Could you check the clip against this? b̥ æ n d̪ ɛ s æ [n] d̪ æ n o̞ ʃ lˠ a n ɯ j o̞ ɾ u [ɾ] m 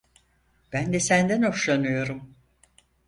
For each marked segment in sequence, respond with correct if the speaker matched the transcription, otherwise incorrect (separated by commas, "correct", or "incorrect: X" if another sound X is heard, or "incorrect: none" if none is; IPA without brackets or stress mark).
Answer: correct, incorrect: none